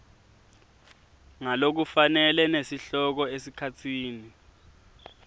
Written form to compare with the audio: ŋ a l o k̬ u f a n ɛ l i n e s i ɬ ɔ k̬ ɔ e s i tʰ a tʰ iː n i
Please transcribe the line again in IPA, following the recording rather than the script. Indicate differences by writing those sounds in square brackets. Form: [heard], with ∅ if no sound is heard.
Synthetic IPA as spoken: ŋ a l o k̬ u f a n ɛ l [ɛ] n e s i ɬ ɔ k̬ ɔ e s i [kʰ] a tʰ iː n i